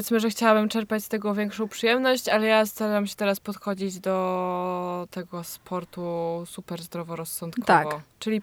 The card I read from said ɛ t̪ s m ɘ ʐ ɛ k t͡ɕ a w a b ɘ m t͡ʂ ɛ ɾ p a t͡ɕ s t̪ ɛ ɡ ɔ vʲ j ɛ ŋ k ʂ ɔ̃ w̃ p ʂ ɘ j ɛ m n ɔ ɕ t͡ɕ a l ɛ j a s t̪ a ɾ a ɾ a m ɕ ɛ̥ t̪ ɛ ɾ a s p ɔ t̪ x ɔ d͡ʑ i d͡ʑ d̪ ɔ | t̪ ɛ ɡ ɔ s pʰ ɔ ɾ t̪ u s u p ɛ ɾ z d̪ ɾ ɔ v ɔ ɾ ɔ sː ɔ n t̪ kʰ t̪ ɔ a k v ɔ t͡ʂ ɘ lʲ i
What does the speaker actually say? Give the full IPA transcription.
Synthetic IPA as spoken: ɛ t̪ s m ɘ ʐ ɛ x t͡ɕ a w a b ɘ m t͡ʂ ɛ ɾ p a t͡ɕ s t̪ ɛ ɡ ɔ vʲ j ɛ ŋ k ʂ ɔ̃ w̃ p ʂ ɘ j ɛ m n ɔ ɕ t͡ɕ a l ɛ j a s t̪ a ɾ a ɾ a m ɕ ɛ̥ t̪ ɛ ɾ a s p ɔ t̪ x ɔ d͡ʑ i d͡ʑ d̪ ɔ | t̪ ɛ ɡ ɔ s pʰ ɔ ɾ t̪ u s u p ɛ ɾ z d̪ ɾ ɔ v ɔ ɾ ɔ sː ɔ n t̪ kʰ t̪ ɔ a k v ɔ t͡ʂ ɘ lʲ i